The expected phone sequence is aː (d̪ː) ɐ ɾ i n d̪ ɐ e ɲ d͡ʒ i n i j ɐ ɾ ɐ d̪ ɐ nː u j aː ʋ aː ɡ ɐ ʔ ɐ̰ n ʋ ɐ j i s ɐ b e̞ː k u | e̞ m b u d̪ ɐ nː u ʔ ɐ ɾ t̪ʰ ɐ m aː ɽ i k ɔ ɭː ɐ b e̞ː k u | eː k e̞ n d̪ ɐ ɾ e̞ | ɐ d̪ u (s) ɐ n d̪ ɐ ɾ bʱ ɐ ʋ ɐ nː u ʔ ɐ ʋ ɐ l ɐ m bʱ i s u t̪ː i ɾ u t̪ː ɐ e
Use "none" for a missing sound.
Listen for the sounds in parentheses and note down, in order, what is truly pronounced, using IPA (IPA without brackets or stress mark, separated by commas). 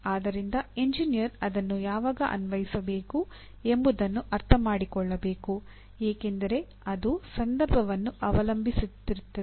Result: d̪, s